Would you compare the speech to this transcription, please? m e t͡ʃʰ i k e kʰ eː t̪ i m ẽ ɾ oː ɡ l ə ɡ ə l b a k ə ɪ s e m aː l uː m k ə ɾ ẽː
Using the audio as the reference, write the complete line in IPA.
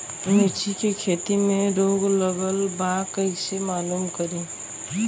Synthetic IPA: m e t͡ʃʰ i k e kʰ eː t̪ i m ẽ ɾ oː ɡ l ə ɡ ə l b a k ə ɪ s e m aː l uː m k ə ɾ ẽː